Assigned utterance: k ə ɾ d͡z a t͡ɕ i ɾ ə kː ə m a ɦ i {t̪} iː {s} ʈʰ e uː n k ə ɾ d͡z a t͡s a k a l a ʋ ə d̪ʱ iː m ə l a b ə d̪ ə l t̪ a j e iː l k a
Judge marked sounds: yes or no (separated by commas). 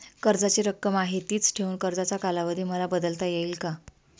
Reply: yes, no